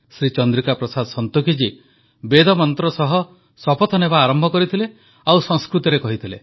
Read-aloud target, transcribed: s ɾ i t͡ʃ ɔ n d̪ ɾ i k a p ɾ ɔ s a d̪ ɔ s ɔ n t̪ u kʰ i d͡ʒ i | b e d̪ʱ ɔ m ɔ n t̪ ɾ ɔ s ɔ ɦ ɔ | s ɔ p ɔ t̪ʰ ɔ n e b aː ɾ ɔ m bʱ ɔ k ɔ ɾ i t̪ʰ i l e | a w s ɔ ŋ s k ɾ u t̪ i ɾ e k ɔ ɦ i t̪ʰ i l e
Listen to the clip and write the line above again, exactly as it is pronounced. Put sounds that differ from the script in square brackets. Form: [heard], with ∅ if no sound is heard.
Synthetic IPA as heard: s ɾ i t͡ʃ ɔ n d̪ ɾ i k a p ɾ ɔ s a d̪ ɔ s ɔ n t̪ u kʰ i d͡ʒ i | b e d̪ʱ ɔ m ɔ n t̪ ɾ ɔ s ɔ ɦ ɔ | s ɔ p ɔ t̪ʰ ɔ n e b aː ɾ ɔ m bʱ ɔ k ɔ ɾ i t̪ʰ i l e | a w s ɔ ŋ s k ɾ u t̪ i ɾ e k ɔ ɦ i t̪ʰ i l e